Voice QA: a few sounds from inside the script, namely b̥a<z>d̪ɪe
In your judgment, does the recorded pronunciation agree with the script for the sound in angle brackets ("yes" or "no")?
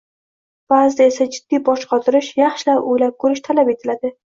yes